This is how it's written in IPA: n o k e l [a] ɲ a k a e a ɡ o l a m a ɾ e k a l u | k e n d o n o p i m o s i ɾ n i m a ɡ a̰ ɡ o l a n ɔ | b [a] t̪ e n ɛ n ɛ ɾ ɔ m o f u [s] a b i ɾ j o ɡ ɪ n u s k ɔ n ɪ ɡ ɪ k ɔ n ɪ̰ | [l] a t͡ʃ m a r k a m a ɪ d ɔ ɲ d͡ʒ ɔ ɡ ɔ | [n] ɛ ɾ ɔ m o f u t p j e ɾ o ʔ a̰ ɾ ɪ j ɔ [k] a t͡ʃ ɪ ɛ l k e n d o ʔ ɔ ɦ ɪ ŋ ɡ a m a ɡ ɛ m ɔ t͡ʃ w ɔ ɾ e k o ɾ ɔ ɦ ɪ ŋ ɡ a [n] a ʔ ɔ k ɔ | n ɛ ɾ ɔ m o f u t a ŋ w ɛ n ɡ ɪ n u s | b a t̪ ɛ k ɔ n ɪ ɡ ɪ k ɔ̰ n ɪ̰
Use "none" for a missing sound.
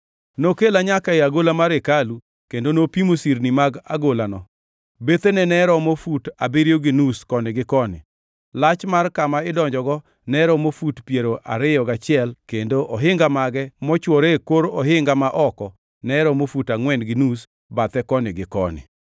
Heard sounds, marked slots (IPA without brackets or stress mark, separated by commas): a, e, t, l, n, ɡ, m